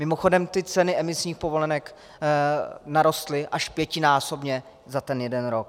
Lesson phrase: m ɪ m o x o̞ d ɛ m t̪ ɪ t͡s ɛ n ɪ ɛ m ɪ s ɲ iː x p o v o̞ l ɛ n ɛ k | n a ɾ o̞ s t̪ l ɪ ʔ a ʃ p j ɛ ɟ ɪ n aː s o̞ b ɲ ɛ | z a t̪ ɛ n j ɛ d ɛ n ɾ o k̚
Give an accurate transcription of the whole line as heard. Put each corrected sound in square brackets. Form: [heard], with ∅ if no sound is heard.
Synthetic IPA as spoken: m ɪ m o x o̞ d ɛ m t̪ ɪ t͡s ɛ n ɪ ɛ m ɪ s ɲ iː x p o v o̞ l ɛ n ɛ k | n a ɾ o̞ s t̪ l ɪ ʔ a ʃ p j ɛ [c] ɪ n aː s o̞ b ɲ ɛ | z a t̪ ɛ n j ɛ d ɛ n ɾ o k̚